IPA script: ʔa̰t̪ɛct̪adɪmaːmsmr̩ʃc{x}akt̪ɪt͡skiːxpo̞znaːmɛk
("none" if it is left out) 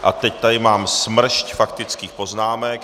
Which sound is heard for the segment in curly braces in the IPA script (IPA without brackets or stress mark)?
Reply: f